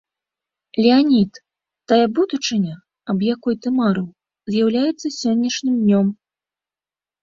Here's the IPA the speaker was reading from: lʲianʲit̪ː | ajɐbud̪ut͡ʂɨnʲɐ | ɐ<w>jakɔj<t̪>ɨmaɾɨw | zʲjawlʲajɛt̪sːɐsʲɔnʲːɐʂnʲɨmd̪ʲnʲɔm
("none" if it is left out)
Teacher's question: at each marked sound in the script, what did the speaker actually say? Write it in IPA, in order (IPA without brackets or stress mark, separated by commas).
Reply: b, t̪